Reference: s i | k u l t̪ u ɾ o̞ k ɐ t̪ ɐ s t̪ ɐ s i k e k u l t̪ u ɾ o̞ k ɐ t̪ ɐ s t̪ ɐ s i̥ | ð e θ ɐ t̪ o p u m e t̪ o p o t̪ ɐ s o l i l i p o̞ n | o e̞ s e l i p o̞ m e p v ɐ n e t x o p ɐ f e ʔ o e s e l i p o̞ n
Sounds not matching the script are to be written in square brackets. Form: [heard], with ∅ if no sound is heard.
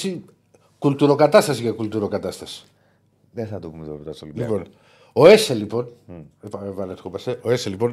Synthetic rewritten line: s i | k u l t̪ u ɾ o̞ k ɐ t̪ ɐ s t̪ ɐ s i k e k u l t̪ u ɾ o̞ k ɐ t̪ ɐ s t̪ ɐ s i̥ | ð e θ ɐ t̪ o p u m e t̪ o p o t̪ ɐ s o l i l i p o̞ n | o e̞ s e l i p o̞ [n] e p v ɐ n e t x o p ɐ [s] e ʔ o e s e l i p o̞ n